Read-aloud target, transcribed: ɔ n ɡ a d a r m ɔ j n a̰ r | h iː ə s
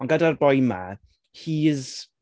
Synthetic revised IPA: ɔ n ɡ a d a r b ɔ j m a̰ | h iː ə z